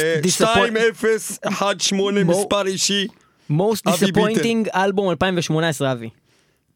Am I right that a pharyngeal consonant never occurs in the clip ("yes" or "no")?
no